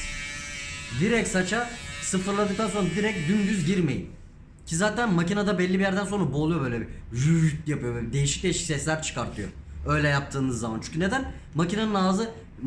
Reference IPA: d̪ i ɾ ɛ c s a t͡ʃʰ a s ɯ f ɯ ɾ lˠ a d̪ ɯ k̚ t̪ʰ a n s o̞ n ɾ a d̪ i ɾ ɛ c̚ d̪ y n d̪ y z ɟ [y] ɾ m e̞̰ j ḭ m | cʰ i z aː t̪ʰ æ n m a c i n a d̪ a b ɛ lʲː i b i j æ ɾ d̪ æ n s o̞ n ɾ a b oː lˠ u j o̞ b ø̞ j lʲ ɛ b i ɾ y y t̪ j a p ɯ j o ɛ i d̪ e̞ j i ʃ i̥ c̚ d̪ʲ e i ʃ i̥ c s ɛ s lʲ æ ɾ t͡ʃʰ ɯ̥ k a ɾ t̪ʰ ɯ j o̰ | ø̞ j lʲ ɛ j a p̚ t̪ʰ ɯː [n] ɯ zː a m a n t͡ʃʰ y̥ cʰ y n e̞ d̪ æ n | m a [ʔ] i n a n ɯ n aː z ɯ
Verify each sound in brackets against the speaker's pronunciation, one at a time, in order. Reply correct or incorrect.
incorrect, correct, incorrect

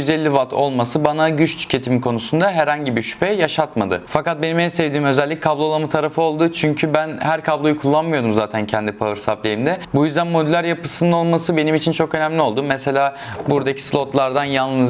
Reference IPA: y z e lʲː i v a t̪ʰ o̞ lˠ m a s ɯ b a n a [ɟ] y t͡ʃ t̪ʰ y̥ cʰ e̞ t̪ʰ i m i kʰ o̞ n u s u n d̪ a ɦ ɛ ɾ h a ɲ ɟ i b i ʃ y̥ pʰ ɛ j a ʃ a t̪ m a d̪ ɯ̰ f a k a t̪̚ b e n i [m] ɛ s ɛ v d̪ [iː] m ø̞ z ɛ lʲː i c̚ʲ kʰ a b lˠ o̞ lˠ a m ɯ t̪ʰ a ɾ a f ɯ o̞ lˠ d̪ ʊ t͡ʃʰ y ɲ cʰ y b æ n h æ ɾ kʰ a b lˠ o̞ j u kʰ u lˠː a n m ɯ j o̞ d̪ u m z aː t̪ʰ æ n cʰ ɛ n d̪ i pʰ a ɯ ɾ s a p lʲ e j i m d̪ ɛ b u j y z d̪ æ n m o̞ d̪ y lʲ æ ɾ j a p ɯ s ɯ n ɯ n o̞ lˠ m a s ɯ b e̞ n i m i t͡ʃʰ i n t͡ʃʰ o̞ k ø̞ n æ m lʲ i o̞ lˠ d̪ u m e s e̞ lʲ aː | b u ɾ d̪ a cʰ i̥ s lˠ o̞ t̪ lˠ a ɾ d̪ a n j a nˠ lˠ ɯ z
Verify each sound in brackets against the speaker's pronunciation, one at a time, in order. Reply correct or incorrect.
correct, correct, correct

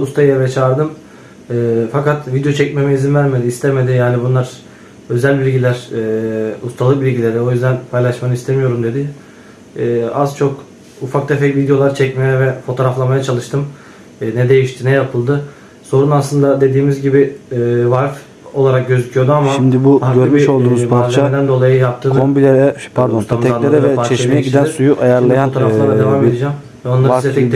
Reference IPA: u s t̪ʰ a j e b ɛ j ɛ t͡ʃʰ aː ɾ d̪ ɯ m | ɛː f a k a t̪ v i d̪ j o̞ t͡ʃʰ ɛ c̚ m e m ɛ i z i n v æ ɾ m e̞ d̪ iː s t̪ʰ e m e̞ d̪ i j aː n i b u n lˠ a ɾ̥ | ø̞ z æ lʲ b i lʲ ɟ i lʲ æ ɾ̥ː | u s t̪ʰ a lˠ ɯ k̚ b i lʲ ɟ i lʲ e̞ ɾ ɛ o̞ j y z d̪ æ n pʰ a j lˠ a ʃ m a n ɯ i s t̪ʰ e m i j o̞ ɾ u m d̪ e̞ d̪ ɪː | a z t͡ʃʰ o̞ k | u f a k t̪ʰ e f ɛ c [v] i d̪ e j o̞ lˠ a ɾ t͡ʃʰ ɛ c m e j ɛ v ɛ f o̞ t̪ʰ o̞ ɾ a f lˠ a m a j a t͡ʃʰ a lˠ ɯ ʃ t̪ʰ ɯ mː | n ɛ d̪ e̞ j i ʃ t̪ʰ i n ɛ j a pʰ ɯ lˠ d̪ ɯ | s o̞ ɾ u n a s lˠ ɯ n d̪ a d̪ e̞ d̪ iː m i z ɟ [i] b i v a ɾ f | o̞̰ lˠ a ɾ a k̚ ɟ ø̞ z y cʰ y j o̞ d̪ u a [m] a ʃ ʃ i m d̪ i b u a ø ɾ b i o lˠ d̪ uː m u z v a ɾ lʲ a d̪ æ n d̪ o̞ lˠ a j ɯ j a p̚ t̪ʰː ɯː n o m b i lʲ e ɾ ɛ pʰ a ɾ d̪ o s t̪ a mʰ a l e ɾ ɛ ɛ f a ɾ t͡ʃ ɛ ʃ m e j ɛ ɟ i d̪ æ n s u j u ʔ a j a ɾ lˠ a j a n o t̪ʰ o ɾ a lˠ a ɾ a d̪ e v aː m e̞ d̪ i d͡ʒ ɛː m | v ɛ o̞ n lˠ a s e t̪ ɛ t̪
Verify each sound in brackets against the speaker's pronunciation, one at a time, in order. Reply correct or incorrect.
correct, correct, correct

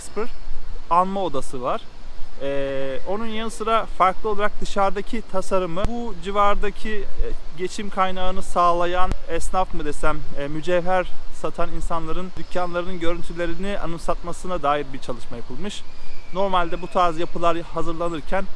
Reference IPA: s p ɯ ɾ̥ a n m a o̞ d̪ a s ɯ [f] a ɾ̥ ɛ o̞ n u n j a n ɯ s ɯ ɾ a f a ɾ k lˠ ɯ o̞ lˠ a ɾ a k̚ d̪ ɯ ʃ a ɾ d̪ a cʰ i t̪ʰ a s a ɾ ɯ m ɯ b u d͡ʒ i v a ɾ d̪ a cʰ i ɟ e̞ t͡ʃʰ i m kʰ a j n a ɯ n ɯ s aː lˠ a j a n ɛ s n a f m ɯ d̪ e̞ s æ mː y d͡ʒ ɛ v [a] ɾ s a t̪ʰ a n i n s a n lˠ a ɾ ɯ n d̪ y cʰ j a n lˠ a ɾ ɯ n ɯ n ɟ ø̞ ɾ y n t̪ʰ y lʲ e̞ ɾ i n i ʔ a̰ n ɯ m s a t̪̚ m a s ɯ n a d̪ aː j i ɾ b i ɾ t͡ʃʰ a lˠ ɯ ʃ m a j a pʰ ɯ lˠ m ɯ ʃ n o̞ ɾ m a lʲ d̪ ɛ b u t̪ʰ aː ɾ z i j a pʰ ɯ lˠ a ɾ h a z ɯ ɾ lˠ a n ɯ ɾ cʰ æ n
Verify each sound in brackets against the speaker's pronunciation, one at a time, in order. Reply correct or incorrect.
incorrect, incorrect

